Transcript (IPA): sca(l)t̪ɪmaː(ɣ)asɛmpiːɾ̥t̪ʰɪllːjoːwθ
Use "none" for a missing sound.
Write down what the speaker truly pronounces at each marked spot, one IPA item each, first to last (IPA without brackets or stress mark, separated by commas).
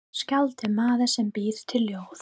l, ð